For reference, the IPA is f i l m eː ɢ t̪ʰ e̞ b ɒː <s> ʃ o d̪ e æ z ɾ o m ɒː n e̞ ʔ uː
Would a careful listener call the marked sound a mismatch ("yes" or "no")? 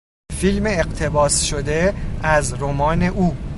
no